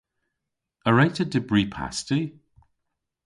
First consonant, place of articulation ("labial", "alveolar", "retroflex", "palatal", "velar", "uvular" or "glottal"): alveolar